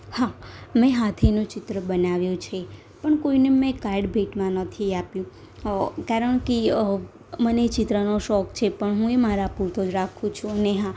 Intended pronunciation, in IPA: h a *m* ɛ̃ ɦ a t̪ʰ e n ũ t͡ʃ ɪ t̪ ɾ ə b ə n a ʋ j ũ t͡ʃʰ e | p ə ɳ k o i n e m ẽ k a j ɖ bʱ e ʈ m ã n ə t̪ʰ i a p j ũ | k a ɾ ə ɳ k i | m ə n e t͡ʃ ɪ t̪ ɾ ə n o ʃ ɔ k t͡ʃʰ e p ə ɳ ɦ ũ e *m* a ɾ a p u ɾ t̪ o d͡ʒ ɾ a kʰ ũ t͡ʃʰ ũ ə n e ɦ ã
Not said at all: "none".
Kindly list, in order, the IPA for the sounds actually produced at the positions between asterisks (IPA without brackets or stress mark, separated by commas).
m, m